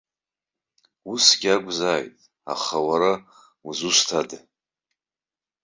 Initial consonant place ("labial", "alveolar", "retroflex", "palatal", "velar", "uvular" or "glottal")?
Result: alveolar